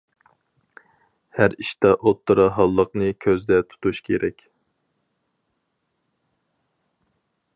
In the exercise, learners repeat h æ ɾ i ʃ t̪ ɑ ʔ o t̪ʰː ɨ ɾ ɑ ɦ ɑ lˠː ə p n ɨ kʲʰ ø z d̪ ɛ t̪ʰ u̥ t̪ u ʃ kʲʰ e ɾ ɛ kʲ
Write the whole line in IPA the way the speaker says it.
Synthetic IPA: h æ ɾ i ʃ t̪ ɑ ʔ o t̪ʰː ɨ ɾ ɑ ɦ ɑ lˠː ə q n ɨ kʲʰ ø z d̪ ɛ t̪ʰ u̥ t̪ u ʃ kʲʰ e ɾ ɛ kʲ